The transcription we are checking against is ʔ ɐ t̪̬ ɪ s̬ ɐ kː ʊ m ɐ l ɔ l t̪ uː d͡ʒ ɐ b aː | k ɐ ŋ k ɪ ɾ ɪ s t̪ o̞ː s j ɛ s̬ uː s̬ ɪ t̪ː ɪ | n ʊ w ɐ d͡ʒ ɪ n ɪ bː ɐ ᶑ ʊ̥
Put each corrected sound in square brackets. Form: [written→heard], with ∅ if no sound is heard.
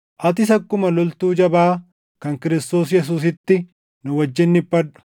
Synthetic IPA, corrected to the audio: ʔ ɐ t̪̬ ɪ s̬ ɐ kː ʊ m ɐ l ɔ l t̪ uː d͡ʒ ɐ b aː | k ɐ ŋ k ɪ ɾ ɪ s t̪ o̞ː s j ɛ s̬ uː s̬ ɪ t̪ː ɪ | n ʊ w ɐ [d͡ʒ→d͡ʒː] ɪ [n→nː] ɪ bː ɐ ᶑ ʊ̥